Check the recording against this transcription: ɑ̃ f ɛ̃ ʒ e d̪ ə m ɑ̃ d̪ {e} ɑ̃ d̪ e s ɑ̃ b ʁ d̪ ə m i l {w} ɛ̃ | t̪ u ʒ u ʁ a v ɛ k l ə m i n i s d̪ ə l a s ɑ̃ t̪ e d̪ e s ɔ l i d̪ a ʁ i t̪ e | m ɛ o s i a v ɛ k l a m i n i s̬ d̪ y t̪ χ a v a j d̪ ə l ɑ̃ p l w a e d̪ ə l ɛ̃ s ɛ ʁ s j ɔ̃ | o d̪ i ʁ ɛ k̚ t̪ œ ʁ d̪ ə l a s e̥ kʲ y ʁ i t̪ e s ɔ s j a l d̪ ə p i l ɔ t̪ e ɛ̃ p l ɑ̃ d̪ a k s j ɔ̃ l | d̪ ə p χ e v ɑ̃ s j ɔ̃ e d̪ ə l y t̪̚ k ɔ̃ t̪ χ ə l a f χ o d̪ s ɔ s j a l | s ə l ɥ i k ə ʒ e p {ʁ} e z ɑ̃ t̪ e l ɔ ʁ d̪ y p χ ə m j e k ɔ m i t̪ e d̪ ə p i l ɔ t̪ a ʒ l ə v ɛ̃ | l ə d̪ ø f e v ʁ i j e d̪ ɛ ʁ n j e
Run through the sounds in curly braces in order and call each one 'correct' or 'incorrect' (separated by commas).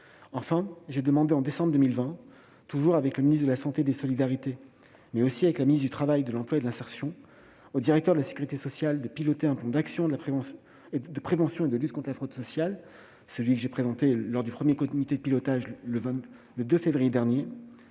correct, incorrect, incorrect